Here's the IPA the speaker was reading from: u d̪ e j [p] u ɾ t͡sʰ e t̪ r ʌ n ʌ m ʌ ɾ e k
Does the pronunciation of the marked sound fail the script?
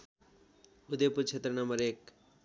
no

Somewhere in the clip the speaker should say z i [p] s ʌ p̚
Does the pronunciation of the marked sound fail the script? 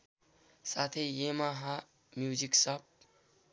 yes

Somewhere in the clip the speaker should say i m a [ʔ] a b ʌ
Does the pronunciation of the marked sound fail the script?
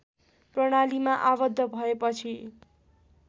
no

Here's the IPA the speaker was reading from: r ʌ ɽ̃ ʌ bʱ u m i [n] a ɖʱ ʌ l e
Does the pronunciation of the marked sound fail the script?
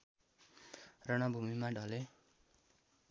yes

